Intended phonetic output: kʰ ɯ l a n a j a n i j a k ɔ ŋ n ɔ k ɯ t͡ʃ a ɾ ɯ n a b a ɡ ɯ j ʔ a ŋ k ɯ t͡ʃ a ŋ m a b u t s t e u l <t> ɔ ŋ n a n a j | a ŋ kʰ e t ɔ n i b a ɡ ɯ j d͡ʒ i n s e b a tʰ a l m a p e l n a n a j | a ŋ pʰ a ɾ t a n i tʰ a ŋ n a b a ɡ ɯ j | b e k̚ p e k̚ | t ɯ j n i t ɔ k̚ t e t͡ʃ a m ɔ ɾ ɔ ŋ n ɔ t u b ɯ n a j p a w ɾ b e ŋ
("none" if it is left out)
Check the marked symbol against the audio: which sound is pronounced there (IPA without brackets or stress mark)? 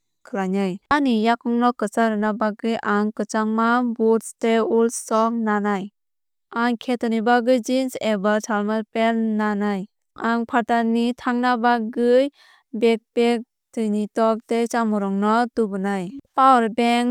s